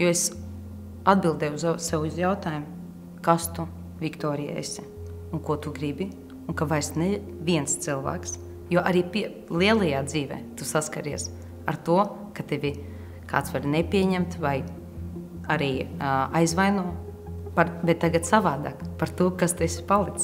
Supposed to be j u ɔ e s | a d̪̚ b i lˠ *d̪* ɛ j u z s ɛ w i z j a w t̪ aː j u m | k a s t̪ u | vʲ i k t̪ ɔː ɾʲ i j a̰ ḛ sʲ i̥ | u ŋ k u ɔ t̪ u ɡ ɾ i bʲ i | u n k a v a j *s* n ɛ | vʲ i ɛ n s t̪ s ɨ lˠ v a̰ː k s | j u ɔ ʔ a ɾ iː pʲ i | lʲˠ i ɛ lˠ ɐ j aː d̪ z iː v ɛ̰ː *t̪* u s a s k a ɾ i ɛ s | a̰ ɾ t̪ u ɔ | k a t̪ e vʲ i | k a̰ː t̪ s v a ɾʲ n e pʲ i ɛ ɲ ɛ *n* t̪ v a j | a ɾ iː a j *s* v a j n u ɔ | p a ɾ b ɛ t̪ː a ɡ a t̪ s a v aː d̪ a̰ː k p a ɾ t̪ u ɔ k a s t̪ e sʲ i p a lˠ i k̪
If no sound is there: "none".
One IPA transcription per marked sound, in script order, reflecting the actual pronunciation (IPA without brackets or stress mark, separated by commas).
d̪, s, t̪, m, z